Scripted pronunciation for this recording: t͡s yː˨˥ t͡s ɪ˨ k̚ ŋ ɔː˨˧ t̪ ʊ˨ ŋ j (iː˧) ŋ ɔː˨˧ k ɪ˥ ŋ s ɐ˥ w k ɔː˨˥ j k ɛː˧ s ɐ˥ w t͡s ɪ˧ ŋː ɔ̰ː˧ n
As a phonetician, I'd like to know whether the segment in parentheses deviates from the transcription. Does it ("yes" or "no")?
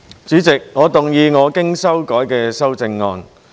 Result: no